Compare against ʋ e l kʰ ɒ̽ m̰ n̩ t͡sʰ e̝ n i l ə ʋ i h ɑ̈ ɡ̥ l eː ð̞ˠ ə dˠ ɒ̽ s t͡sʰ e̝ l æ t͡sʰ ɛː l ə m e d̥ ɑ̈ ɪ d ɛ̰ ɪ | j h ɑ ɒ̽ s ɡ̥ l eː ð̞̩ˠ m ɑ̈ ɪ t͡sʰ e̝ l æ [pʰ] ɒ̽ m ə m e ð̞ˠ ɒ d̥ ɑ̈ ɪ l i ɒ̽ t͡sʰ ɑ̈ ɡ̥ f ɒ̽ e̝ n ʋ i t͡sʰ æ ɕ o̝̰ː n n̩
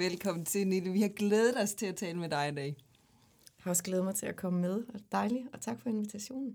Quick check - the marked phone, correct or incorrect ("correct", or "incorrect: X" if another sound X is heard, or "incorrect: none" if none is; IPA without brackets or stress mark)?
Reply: incorrect: kʰ